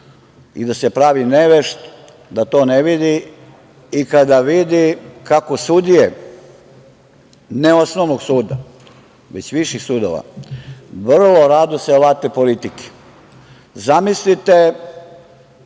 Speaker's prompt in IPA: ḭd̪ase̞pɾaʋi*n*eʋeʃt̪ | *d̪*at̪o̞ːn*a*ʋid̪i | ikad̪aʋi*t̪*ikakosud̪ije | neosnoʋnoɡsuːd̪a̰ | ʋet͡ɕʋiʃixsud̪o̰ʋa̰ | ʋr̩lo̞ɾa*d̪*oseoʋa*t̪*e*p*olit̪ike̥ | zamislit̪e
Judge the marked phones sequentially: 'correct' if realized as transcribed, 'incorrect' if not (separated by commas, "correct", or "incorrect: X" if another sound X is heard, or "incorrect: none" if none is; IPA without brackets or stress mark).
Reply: correct, correct, incorrect: e, incorrect: d̪, correct, correct, correct